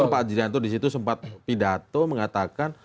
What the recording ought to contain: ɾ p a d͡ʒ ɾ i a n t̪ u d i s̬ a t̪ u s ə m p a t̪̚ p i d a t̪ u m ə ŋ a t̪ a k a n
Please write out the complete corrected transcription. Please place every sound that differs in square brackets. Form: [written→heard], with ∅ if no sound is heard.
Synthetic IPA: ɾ p a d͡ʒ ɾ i a n t̪ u d i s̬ [a→i] t̪ u s ə m p a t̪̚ p i d a t̪ [u→o] m ə ŋ a t̪ a k a n